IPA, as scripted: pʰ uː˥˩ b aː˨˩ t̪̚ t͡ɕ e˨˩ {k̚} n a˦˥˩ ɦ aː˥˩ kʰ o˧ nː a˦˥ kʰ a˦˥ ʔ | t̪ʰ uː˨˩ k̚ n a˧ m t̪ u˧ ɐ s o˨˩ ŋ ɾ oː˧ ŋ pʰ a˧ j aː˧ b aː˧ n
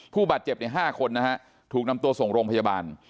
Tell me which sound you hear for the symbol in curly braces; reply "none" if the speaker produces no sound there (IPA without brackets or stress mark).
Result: p̚